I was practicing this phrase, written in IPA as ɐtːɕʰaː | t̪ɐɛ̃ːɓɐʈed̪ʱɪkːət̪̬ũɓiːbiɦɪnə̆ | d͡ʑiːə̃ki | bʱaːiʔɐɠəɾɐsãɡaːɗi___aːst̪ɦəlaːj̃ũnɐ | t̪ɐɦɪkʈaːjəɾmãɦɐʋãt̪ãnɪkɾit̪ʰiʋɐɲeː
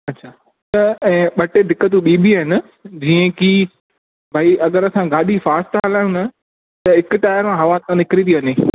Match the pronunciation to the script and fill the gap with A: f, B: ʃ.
A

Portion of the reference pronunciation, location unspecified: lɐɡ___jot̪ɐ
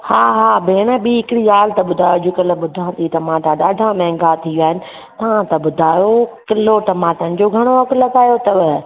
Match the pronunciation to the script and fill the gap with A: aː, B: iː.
A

